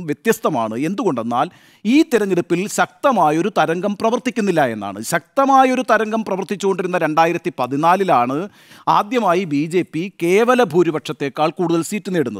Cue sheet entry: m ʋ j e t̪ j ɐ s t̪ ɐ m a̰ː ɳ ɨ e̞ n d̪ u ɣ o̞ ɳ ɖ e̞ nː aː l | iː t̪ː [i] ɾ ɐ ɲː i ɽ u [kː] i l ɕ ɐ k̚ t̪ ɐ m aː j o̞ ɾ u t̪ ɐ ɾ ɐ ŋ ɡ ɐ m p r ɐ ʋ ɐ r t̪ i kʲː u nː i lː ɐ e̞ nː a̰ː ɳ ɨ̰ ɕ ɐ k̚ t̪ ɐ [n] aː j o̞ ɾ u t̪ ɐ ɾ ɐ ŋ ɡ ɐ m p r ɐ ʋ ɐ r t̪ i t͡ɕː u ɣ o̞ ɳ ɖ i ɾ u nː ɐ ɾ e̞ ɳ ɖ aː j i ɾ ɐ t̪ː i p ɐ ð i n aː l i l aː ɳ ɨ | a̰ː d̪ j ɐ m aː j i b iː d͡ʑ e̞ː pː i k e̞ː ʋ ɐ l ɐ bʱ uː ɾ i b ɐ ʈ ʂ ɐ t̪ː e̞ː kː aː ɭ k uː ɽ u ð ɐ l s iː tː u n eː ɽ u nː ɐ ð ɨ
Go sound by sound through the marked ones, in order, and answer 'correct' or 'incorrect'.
correct, incorrect: pː, incorrect: m

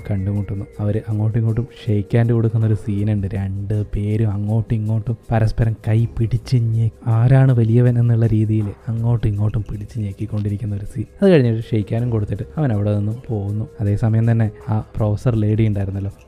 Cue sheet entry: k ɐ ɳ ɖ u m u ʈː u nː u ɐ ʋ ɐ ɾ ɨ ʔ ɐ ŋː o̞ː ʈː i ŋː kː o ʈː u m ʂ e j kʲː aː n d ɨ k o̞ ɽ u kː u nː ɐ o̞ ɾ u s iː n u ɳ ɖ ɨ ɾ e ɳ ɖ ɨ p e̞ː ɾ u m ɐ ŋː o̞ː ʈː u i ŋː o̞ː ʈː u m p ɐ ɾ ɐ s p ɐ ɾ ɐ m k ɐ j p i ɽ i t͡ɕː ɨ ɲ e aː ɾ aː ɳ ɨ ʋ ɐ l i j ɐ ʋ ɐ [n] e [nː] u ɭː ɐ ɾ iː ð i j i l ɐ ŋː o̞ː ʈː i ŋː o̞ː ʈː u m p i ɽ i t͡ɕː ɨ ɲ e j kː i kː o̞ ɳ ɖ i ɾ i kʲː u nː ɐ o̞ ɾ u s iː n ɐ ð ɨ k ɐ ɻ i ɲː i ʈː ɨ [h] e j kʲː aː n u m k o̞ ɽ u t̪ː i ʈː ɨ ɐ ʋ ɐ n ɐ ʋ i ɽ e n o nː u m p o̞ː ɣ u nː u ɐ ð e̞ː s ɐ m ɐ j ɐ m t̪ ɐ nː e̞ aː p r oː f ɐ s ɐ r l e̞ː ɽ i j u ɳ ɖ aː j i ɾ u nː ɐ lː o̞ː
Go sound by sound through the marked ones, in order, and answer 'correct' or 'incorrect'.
correct, correct, incorrect: ʂ

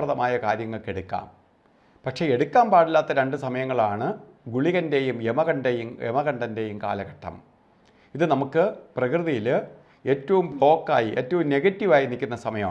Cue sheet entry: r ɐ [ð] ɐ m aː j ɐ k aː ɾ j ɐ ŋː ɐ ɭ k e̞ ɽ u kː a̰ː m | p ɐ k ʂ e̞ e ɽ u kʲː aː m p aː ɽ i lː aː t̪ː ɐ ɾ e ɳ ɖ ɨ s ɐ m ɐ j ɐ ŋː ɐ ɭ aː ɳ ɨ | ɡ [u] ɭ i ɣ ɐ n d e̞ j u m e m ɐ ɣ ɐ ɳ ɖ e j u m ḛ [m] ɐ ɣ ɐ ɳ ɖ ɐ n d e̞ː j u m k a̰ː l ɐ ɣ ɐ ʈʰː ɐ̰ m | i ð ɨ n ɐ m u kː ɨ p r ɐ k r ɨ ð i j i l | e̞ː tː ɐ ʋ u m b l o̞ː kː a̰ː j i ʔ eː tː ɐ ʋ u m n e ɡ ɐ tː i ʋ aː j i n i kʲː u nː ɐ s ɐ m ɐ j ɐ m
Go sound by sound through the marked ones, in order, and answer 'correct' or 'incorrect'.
correct, correct, correct

